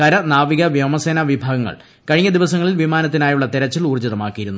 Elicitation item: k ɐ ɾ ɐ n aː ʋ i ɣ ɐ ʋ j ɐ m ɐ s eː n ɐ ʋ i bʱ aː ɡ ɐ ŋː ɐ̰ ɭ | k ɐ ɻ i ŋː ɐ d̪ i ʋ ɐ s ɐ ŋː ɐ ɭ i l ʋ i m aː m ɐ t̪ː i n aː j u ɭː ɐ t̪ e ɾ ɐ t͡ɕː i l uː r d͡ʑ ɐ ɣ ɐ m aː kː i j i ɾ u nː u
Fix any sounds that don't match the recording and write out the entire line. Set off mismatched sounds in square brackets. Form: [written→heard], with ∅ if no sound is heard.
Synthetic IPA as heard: k ɐ ɾ ɐ n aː ʋ i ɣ ɐ ʋ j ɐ m ɐ s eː n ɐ ʋ i bʱ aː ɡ ɐ ŋː ɐ̰ ɭ | k ɐ ɻ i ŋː ɐ d̪ i ʋ ɐ s ɐ ŋː ɐ ɭ i l ʋ i m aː [m→n] ɐ t̪ː i n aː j u ɭː ɐ t̪ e ɾ ɐ t͡ɕː i l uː r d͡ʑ ɐ [ɣ→ð] ɐ m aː kː i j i ɾ u nː u